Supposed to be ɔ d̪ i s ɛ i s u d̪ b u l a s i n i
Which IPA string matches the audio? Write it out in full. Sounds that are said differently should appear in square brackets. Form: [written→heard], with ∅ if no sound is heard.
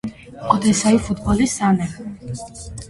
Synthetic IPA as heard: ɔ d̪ [i→ɛ] s [ɛ→a] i [s→f] u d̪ b [u→ɔ] l [a→i] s [i→a] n [i→ɛ]